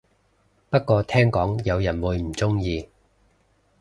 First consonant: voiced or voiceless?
voiceless